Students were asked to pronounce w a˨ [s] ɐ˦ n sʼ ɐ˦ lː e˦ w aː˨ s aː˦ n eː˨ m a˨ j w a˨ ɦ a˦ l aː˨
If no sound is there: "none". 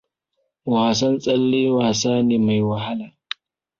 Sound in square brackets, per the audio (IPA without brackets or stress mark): s